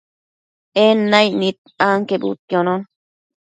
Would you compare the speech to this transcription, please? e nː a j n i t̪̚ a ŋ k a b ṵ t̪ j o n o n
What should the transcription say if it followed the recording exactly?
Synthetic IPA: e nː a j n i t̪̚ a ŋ k e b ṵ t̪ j o n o n